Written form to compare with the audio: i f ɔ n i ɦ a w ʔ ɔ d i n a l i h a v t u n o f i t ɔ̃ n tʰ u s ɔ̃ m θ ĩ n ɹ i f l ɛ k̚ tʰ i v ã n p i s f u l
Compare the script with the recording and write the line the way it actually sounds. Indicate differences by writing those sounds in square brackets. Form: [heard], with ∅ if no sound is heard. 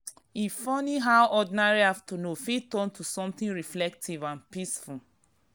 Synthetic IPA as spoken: i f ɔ n i ɦ a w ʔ ɔ d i n a [ɹ] i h a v t u n o f i t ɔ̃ n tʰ u s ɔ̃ m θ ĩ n ɹ i f l ɛ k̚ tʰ i v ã n p i s f u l